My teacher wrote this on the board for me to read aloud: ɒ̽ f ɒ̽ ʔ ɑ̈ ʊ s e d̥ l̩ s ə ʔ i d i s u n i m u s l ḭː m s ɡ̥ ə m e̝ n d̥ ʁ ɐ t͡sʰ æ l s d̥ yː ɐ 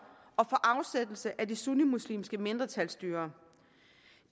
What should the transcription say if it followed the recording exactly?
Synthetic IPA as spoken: ɒ̽ f ɒ̽ ʔ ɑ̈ ʊ s e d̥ l̩ s ə ʔ æ d i s u n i m u s l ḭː m s ɡ̥ ə m e̝ n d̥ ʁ ɐ t͡sʰ æ l s d̥ yː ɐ